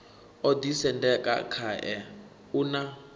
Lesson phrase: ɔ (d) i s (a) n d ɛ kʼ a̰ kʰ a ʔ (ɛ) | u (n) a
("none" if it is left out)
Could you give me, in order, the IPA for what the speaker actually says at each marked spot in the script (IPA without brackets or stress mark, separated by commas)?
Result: d, ɛ, ɛ, n